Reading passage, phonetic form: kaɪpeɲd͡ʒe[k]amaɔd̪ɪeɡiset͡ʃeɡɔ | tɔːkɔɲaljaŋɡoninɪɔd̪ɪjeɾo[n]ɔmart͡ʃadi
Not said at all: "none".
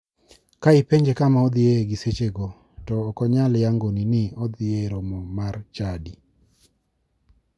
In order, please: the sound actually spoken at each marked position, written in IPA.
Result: k, m

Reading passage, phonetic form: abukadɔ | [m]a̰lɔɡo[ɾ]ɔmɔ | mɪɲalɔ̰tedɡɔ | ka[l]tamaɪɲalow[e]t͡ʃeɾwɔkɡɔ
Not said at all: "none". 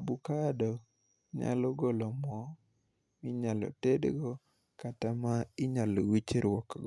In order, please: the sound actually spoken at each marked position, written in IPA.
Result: ɲ, l, none, i

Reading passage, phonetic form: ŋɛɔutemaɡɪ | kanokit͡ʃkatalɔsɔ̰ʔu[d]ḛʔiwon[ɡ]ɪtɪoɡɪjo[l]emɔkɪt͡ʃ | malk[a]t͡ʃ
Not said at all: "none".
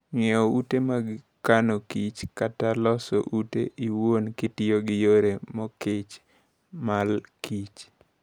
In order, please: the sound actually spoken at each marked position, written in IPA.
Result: t, k, ɾ, i

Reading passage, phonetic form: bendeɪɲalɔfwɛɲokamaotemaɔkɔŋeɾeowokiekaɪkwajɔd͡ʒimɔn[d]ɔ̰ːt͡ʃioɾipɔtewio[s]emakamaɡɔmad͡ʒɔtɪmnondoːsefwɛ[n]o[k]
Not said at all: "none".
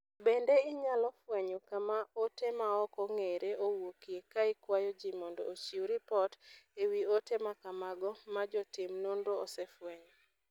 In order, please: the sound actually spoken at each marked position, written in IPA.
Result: d, t, ɲ, none

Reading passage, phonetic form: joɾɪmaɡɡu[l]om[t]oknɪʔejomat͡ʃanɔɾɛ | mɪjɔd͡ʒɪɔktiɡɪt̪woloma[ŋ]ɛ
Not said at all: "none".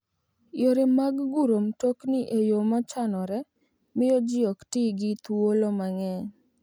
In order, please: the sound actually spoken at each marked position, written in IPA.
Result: ɾ, t, ŋ

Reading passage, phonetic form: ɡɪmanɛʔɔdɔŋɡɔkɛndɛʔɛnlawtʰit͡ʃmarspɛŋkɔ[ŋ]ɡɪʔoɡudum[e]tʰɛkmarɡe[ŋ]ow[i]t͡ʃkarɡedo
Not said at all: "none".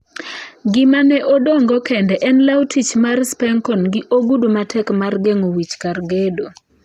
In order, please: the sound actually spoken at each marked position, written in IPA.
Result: n, a, ŋ, i

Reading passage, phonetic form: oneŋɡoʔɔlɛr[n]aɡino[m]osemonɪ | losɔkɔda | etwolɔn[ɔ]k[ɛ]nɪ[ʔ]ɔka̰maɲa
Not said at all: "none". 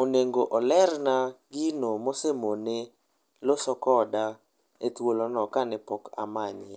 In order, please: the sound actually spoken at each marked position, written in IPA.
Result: n, m, ɔ, a, p

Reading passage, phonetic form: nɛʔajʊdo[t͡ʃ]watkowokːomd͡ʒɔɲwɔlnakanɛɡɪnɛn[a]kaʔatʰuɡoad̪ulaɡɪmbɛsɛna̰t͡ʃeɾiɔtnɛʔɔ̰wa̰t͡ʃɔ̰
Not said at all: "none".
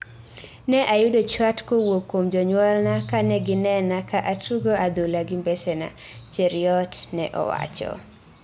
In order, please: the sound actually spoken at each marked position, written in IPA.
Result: t͡ʃ, a

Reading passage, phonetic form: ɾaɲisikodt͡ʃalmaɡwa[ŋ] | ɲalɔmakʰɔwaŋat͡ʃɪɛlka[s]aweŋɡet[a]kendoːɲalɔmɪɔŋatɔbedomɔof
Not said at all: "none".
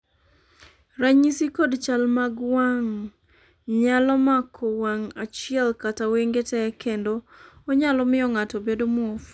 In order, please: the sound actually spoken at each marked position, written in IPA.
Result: ŋ, t, ɛ

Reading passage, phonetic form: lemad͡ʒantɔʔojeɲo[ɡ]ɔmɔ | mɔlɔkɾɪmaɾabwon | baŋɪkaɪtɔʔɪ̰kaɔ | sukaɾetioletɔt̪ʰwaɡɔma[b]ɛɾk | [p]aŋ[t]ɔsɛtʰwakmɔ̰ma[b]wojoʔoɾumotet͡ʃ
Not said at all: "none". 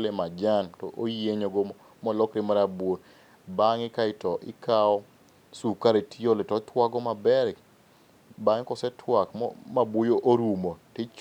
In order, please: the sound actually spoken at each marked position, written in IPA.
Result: ɡ, b, b, k, b

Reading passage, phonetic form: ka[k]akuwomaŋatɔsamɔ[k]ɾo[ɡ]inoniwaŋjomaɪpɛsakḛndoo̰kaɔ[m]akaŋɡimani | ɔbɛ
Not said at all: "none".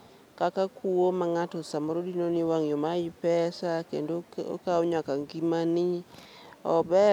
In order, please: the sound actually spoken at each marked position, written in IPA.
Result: k, none, d, ɲ

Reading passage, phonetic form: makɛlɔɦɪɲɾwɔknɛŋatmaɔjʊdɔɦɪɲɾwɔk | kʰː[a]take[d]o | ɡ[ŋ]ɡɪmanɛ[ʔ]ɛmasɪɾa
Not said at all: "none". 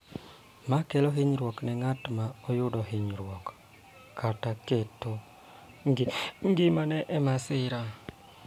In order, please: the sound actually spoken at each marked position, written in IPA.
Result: a, t, ŋ, ʔ

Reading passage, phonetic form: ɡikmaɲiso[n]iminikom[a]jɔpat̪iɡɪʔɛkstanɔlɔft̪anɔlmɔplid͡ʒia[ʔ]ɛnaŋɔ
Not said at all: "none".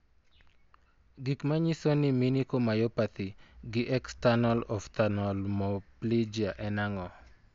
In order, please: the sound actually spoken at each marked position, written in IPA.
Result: n, a, ʔ

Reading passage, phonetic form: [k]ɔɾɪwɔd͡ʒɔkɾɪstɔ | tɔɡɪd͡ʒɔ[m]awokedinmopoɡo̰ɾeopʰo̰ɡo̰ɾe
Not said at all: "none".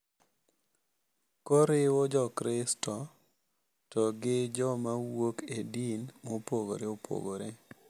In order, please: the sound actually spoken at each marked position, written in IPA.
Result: k, m

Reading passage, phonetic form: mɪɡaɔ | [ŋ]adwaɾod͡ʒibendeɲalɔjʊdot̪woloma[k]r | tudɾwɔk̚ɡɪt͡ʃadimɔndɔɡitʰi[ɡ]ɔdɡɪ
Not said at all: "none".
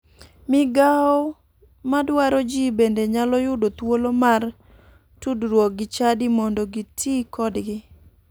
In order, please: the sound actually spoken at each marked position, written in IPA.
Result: m, none, k

